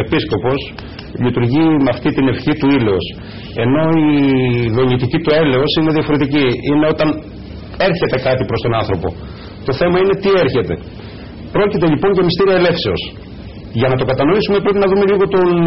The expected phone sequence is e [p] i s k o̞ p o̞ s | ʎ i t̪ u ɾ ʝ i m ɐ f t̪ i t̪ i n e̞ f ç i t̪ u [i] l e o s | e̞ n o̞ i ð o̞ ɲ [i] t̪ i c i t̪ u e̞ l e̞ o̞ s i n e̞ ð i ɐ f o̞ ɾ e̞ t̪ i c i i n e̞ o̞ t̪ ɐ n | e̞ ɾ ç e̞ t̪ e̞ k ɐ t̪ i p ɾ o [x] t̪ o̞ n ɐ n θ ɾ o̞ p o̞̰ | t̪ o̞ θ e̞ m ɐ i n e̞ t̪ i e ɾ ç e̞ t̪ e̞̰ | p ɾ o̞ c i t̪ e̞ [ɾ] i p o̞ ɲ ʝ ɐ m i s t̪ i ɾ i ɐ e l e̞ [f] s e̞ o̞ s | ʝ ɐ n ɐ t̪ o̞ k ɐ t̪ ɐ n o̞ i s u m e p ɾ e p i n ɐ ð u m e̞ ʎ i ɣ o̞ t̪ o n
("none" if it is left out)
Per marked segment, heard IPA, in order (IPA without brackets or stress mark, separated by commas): p, i, i, s, ʎ, f